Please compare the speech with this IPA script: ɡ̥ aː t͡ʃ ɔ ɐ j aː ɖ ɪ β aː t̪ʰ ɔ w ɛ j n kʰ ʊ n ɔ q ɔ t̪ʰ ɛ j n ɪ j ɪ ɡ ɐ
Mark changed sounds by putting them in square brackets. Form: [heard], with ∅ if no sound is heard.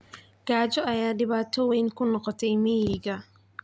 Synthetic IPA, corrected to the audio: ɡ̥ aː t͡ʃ ɔ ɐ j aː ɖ ɪ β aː t̪ʰ ɔ w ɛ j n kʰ ʊ n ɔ q ɔ t̪ʰ ɛ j [m] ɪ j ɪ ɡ ɐ